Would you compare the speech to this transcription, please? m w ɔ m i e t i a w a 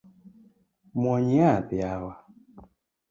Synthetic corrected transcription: m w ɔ ɲ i a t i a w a